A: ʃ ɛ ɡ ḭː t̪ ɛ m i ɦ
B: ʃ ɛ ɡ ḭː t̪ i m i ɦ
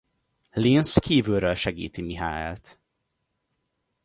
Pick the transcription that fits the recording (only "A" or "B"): B